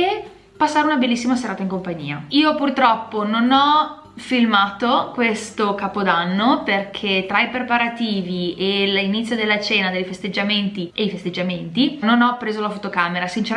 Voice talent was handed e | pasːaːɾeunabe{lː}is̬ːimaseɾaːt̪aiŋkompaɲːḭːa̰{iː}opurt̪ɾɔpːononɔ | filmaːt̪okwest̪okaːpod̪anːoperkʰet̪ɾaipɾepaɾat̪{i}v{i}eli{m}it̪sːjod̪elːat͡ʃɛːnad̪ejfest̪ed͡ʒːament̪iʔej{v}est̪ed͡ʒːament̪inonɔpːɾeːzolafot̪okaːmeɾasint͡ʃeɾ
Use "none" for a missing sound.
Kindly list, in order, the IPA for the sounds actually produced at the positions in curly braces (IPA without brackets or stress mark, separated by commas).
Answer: lː, iː, iː, i, n, f